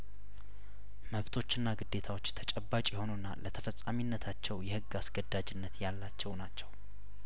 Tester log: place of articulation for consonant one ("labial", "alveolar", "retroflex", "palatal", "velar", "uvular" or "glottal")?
labial